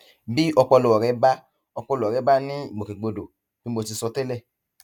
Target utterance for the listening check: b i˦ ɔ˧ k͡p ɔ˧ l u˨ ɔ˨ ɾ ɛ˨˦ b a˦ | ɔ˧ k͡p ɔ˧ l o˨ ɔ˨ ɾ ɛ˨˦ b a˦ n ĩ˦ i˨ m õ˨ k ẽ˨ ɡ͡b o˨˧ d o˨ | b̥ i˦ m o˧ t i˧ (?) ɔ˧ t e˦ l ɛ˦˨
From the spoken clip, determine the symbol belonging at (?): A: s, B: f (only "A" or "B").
A